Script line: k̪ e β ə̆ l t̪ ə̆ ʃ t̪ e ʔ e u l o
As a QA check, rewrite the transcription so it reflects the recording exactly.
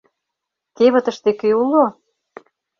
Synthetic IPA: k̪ e β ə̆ t̪ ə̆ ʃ t̪ e k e u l o